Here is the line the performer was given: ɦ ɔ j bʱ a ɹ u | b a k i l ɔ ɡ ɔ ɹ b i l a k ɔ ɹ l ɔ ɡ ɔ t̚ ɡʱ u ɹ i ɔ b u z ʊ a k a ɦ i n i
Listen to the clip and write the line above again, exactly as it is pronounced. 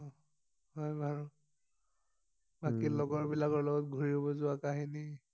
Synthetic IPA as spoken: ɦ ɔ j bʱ a ɹ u | b a k i l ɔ ɡ ɔ ɹ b i l a k ɔ ɹ l ɔ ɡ ɔ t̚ ɡʱ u ɹ i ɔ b ɔ z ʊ a k a ɦ i n i